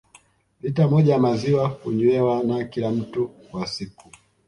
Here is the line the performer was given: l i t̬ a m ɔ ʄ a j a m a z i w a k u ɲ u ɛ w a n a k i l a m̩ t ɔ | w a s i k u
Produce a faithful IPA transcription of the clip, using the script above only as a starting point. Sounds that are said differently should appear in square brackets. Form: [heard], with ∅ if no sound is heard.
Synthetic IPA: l i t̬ a m ɔ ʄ a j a m a z i w a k u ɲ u ɛ w a n a k i l a m̩ t [u] | w a s i k u